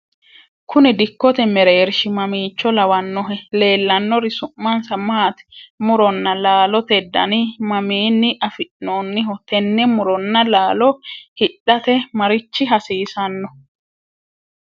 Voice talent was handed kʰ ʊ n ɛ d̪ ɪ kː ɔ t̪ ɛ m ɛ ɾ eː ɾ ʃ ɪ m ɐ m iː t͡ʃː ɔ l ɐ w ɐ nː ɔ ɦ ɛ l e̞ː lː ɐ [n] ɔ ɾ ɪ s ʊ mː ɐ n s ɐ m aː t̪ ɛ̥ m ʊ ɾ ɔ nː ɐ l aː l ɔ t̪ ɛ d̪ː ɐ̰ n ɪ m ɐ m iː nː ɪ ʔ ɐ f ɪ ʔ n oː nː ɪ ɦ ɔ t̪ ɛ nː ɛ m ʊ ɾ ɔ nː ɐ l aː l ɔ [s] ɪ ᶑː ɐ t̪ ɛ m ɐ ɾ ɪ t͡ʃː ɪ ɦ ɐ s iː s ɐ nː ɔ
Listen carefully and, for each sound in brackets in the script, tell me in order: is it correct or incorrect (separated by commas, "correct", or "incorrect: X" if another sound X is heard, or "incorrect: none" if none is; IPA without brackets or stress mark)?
incorrect: nː, incorrect: h